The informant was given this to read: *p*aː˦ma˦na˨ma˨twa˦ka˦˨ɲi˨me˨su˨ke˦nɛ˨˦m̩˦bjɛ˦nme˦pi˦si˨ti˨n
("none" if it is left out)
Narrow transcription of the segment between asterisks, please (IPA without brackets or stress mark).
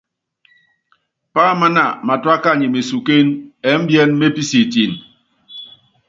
p